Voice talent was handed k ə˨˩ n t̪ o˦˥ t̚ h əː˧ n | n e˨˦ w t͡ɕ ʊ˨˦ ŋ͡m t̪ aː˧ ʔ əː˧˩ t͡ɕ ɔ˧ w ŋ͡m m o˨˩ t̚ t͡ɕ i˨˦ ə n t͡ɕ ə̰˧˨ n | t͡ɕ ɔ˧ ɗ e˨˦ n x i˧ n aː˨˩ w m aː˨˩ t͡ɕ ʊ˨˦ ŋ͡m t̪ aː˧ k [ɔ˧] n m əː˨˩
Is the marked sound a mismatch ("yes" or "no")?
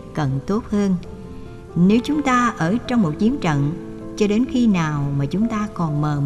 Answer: yes